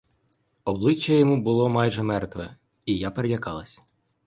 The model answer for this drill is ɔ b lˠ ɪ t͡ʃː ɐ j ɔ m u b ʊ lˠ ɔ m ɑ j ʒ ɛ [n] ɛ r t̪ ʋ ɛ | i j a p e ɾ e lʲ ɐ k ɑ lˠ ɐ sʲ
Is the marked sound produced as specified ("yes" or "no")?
no